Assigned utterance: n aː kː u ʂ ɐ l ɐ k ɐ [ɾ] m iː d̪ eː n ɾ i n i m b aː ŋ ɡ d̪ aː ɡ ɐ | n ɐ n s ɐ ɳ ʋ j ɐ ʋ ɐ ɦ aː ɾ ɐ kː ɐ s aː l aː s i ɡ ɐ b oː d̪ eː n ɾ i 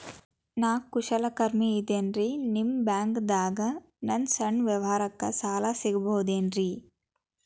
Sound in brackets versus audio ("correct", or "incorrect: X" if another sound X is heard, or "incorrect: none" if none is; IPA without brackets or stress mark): correct